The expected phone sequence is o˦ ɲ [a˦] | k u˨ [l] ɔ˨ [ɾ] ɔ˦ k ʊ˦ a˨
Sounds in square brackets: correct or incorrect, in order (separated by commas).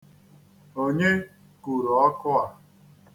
incorrect, incorrect, incorrect